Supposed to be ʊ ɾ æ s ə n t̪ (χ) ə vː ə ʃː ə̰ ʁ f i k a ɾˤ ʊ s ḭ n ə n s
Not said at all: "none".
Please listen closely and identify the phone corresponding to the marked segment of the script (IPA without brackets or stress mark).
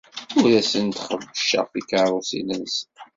χ